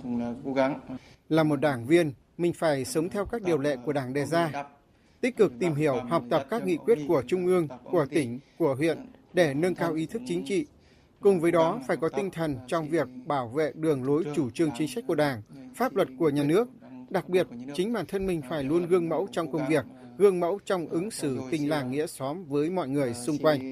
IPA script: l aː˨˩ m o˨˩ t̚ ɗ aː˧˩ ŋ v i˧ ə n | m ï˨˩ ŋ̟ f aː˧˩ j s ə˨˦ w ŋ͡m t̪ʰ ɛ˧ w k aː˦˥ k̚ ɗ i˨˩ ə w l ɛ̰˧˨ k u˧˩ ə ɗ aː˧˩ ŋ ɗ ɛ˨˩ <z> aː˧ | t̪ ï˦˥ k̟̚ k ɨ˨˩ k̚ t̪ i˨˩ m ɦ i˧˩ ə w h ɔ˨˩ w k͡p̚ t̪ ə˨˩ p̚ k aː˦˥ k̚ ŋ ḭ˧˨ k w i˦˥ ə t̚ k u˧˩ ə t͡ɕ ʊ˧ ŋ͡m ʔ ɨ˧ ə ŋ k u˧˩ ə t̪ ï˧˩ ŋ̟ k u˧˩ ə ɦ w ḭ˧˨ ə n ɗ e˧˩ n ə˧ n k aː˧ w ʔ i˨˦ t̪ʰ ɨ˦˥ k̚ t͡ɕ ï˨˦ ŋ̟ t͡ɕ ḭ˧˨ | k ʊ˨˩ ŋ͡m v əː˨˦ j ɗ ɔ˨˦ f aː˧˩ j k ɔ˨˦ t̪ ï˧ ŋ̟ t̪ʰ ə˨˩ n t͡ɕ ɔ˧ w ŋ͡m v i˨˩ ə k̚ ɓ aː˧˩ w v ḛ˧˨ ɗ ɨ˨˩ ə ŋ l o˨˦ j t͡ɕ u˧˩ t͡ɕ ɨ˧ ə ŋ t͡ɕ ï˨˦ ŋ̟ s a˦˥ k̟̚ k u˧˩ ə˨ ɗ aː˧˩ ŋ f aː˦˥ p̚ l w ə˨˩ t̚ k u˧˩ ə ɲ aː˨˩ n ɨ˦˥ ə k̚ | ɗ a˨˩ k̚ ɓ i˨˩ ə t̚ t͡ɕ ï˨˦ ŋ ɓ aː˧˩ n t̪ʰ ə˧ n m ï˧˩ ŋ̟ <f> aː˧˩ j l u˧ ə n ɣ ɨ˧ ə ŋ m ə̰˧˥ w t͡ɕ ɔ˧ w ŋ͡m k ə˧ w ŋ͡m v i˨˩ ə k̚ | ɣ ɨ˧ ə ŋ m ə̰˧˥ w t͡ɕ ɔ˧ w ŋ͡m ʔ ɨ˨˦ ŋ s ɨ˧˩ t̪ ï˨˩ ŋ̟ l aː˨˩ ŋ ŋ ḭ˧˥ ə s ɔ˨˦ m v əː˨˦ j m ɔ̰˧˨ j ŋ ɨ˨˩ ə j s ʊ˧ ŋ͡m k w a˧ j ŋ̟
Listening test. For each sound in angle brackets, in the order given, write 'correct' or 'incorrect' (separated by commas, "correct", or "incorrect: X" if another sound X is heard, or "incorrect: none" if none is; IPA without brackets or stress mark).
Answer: correct, correct